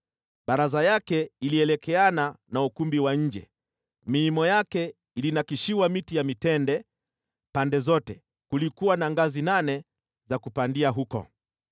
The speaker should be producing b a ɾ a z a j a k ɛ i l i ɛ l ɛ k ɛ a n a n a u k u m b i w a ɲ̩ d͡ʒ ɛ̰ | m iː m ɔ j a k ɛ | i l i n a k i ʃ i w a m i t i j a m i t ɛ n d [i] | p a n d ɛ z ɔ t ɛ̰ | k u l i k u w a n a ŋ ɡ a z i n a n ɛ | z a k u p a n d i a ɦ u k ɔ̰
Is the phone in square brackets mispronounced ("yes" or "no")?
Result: yes